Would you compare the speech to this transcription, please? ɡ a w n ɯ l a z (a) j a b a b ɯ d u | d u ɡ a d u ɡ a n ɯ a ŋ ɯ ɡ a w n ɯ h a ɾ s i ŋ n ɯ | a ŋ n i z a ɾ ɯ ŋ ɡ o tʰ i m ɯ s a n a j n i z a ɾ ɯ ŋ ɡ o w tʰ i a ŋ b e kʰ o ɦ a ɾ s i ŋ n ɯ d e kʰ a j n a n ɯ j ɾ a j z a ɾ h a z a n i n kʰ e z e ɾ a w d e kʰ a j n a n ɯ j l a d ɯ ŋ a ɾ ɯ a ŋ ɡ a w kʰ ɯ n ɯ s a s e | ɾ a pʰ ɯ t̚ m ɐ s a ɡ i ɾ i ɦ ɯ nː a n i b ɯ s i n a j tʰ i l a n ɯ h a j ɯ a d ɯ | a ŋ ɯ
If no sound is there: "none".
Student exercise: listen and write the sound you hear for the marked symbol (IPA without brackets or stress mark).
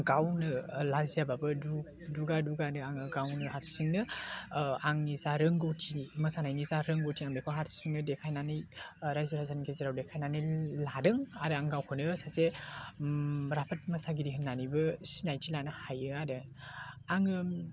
i